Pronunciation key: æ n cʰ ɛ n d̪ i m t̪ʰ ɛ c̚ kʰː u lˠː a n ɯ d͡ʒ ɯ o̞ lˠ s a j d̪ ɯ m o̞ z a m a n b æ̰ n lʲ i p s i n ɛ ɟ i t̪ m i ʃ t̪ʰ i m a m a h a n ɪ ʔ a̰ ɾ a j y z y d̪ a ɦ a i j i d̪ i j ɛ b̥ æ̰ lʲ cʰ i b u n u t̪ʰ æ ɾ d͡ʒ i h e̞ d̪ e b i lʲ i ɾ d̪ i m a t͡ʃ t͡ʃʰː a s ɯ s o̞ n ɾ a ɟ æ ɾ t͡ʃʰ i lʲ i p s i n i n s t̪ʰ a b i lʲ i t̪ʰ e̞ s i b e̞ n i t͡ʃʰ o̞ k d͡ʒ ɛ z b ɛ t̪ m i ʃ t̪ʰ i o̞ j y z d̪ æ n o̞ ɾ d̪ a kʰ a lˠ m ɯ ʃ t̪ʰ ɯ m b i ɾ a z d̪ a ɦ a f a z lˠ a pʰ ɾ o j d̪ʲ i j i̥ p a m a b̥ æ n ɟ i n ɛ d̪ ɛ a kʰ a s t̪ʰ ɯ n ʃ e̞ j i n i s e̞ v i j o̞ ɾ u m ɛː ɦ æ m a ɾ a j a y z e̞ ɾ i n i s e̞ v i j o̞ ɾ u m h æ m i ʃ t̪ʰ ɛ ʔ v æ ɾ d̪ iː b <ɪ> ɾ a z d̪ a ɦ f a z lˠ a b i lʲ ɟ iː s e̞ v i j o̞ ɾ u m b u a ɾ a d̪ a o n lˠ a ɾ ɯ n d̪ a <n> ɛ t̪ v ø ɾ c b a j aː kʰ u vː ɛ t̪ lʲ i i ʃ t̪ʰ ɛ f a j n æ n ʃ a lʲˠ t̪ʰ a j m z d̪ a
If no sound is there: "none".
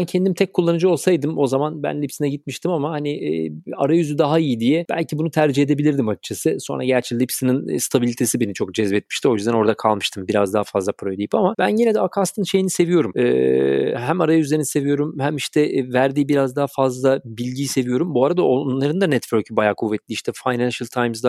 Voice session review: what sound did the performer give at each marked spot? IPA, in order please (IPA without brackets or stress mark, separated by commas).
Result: i, n